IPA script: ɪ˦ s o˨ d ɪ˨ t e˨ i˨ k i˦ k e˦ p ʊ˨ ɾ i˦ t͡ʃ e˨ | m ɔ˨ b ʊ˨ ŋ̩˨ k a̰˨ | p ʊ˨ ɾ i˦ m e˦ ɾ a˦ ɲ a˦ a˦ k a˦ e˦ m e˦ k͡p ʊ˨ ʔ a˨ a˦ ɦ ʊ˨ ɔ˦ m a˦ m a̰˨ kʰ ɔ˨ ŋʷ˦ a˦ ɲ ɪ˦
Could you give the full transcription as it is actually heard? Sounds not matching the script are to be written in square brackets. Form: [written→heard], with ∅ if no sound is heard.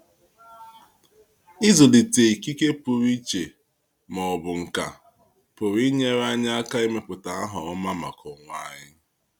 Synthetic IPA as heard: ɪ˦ [s→z] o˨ d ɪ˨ t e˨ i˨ k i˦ k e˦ p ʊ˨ ɾ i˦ t͡ʃ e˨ | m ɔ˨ b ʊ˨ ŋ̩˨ k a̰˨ | p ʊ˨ ɾ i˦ [m→ɲ] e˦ ɾ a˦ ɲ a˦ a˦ k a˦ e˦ m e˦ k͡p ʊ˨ [ʔ→t] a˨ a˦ ɦ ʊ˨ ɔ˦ m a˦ m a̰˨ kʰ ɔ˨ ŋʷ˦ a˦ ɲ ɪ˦

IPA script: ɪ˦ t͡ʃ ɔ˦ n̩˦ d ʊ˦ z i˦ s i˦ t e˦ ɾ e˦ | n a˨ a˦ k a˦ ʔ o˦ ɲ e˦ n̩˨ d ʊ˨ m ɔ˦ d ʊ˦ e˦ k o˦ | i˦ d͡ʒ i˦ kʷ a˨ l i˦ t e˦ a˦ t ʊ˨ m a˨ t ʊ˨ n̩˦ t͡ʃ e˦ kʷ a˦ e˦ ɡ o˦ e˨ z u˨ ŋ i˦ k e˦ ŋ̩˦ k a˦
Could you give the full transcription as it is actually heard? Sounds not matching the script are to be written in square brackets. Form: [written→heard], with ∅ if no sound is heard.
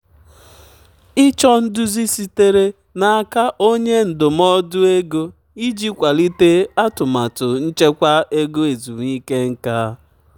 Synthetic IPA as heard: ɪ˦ t͡ʃ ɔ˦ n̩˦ d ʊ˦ z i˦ s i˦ t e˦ ɾ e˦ | n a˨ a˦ k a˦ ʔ o˦ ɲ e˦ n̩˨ d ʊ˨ m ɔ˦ d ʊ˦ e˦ [k→ɡ] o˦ | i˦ d͡ʒ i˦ kʷ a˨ l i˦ t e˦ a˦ t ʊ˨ m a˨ t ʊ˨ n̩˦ t͡ʃ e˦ kʷ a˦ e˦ ɡ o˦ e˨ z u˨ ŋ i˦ k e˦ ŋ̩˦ k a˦

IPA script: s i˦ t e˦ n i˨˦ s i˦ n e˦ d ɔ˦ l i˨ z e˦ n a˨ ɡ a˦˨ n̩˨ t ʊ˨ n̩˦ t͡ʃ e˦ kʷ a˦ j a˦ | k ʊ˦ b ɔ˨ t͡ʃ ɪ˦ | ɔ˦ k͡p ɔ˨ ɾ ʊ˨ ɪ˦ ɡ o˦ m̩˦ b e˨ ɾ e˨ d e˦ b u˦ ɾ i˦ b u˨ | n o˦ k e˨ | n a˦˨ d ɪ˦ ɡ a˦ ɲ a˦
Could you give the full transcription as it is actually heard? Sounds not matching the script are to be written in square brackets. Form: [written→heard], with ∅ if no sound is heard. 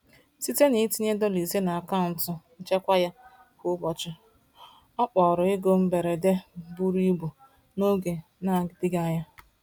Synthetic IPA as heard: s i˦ t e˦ n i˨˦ [s→t] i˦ [n→ɲ] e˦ d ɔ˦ l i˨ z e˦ n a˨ [ɡ→k] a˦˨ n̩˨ t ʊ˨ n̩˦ t͡ʃ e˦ kʷ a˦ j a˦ | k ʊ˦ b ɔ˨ t͡ʃ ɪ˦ | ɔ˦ k͡p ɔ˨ ɾ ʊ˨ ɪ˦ ɡ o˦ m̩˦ b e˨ ɾ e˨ d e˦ b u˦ ɾ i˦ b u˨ | n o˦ [k→ɡ] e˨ | n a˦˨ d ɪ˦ ɡ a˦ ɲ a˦

